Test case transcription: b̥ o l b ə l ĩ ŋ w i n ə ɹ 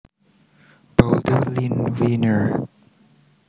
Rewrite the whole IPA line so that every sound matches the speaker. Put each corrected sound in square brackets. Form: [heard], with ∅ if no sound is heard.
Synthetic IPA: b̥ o l [d] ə l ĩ [n] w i n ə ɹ